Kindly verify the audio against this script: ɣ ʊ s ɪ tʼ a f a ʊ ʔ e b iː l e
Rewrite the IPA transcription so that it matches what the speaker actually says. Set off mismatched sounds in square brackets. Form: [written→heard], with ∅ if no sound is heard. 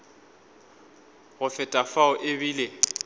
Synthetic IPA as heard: ɣ ʊ [s→f] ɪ tʼ a f a ʊ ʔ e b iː l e